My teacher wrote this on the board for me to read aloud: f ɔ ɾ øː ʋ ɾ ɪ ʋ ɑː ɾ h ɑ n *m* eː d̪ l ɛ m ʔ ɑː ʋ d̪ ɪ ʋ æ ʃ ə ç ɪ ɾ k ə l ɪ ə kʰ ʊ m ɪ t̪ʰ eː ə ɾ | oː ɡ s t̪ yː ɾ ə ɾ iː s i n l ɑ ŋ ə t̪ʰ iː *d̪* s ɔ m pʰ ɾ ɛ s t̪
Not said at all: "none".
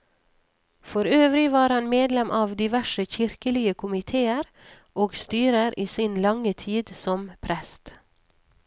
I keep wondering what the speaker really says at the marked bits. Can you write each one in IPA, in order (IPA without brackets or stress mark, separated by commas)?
m, d̪